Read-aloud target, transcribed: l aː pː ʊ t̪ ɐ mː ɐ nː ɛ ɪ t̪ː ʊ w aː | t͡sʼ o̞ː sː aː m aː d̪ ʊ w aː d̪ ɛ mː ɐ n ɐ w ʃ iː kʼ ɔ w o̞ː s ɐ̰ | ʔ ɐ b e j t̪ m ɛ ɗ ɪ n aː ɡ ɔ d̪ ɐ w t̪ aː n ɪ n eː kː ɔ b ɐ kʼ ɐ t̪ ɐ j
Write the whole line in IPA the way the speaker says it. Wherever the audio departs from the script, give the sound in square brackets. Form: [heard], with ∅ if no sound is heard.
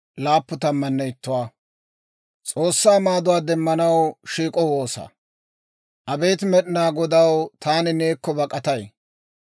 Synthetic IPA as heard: l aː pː ʊ t̪ ɐ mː ɐ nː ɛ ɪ t̪ː ʊ w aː | t͡sʼ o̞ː sː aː m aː d̪ ʊ w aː d̪ ɛ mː ɐ n ɐ w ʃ iː kʼ ɔ w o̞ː s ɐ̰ | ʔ ɐ b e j t̪ m ɛ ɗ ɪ n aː ɡ ɔ d̪ ɐ w t̪ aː n ɪ n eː kː ɔ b ɐ kʼ ɐ t̪ ɐ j